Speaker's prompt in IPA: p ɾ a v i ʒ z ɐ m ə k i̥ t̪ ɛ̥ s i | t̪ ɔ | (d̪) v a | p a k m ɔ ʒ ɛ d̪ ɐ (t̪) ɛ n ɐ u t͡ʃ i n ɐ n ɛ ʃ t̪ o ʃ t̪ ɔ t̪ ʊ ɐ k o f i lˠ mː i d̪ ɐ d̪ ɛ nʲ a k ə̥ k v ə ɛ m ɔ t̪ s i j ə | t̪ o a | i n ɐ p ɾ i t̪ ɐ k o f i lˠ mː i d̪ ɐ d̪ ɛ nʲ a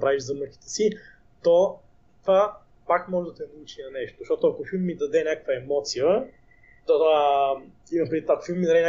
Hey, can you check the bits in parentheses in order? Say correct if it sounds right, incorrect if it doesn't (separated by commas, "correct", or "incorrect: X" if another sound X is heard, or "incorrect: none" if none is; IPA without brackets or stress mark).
incorrect: t̪, correct